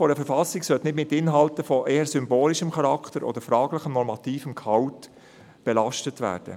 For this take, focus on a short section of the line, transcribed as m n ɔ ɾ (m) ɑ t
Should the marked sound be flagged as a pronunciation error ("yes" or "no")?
no